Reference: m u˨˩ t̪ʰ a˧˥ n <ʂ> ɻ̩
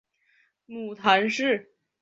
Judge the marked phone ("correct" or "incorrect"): correct